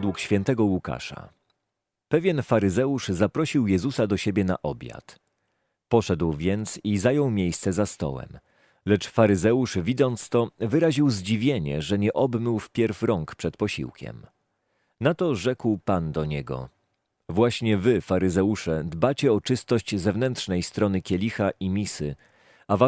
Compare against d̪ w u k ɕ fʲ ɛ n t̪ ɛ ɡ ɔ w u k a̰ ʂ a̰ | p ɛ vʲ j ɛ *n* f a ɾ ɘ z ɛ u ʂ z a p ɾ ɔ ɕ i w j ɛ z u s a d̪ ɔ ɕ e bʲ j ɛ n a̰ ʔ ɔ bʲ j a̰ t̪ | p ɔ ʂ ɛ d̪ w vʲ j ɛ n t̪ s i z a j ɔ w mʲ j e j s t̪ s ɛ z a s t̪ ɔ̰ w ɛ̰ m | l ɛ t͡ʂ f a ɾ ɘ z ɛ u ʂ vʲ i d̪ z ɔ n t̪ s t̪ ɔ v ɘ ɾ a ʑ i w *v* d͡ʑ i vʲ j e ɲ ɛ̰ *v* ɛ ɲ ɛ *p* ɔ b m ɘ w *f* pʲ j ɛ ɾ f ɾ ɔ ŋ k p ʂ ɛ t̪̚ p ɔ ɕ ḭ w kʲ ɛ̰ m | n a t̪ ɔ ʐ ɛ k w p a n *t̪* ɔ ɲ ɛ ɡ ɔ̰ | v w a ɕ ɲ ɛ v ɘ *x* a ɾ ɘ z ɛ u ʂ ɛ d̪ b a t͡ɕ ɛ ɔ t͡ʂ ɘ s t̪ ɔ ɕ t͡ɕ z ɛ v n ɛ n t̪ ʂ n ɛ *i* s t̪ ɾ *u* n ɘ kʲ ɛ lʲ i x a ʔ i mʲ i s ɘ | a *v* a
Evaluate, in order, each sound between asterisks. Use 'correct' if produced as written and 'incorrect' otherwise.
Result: correct, incorrect, incorrect, incorrect, correct, incorrect, incorrect, incorrect, incorrect, correct

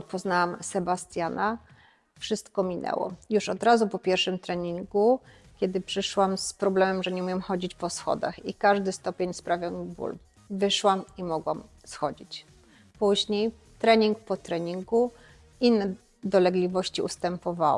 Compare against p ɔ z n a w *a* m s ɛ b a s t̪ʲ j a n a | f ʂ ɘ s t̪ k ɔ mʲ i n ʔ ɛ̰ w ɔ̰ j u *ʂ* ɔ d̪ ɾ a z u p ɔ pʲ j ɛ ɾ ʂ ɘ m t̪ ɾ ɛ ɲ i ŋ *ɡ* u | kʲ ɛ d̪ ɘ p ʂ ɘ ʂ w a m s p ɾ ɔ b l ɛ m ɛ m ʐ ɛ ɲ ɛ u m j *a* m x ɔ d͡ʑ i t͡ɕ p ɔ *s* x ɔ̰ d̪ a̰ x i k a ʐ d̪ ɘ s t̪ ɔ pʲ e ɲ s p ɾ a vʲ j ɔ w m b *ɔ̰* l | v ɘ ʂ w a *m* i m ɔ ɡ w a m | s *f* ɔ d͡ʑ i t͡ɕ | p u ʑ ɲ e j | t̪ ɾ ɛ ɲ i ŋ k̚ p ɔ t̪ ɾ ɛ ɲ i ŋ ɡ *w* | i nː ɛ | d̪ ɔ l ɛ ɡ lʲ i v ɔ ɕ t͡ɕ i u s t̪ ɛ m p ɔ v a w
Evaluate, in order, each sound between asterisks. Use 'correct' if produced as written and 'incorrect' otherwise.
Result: correct, correct, correct, incorrect, correct, incorrect, correct, incorrect, incorrect

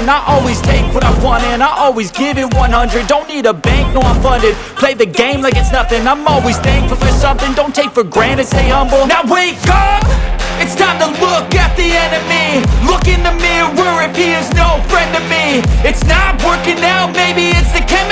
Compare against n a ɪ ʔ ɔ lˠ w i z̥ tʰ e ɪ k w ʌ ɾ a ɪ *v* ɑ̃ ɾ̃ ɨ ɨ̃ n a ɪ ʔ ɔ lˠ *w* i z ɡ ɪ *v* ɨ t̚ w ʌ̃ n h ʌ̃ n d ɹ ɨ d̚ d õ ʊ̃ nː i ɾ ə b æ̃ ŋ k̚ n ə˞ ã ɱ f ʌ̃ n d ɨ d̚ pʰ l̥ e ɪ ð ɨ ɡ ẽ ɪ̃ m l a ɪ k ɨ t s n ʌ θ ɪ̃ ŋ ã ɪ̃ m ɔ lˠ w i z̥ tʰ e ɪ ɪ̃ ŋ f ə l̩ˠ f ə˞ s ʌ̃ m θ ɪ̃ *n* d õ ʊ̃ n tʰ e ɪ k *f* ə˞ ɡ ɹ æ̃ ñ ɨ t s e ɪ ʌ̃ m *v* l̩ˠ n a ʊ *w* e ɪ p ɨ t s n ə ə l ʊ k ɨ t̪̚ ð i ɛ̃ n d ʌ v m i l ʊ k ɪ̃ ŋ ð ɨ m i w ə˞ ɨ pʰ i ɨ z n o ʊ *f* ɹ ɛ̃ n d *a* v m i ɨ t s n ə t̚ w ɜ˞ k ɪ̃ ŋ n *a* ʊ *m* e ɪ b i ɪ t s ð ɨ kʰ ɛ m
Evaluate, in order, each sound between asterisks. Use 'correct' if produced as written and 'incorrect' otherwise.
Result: incorrect, correct, correct, incorrect, correct, incorrect, correct, correct, incorrect, correct, correct

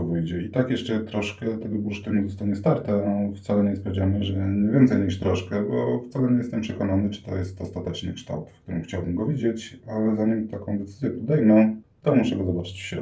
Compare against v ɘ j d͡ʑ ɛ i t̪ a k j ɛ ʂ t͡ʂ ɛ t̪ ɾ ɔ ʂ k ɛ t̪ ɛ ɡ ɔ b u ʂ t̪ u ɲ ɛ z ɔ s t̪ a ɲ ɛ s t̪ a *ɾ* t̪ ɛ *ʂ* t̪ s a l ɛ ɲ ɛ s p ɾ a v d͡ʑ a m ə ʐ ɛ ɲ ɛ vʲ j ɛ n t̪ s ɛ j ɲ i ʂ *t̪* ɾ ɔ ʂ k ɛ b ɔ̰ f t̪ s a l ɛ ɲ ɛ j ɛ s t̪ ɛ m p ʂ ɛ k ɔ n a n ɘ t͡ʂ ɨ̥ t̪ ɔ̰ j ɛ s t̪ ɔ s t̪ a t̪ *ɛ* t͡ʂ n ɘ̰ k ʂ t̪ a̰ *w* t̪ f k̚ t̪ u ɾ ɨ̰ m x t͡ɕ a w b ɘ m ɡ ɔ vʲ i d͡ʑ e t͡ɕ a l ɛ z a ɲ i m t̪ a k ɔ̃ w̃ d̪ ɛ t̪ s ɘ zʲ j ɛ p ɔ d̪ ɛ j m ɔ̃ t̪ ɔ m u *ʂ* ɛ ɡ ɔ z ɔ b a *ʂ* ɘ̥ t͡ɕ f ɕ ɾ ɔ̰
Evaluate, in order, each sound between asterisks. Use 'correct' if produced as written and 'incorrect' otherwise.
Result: correct, incorrect, correct, correct, correct, correct, incorrect

